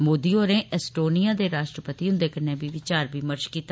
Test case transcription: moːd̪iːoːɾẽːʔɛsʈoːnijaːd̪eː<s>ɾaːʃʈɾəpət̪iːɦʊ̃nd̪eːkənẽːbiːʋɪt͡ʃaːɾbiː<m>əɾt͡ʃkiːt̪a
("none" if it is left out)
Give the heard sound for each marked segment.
none, m

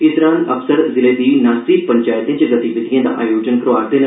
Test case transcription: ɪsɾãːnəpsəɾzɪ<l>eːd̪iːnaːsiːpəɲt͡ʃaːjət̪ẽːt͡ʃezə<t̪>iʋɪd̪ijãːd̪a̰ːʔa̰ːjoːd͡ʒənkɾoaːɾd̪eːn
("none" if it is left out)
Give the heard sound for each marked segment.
l, t̪

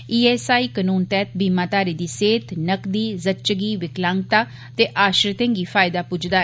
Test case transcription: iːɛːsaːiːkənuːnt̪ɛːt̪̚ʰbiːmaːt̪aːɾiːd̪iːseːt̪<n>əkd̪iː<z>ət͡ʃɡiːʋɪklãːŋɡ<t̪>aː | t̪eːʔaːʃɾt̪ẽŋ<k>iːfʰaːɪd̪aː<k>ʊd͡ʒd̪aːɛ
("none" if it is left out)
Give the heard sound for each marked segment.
n, z, t̪, ɡ, p

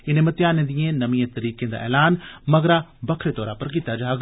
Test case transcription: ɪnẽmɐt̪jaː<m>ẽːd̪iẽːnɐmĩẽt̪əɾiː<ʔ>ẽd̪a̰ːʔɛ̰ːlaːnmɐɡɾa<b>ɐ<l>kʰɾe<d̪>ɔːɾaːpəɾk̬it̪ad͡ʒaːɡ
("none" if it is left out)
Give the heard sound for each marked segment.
n, k, b, none, t̪

